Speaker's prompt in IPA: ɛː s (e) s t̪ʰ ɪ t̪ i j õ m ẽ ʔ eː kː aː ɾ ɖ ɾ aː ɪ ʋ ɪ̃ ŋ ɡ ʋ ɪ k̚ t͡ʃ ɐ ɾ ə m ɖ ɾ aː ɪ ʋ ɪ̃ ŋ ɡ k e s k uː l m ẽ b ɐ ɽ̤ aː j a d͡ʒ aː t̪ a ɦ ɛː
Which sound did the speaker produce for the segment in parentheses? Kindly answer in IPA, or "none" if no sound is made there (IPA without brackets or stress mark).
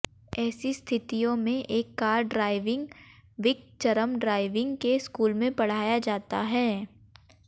i